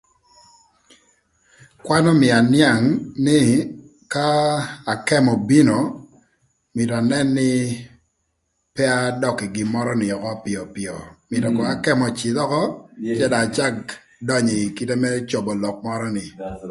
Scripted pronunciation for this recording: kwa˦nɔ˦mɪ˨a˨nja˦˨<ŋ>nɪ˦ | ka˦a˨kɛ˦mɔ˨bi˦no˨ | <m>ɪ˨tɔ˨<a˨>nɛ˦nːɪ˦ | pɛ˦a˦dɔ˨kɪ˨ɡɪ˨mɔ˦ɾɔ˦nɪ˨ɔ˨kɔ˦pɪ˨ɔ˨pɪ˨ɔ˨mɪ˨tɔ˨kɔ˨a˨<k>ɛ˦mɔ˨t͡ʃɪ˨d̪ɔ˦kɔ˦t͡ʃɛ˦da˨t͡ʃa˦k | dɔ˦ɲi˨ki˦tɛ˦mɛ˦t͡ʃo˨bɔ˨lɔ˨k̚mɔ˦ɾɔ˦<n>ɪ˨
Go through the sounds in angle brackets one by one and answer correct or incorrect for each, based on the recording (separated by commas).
correct, correct, correct, correct, correct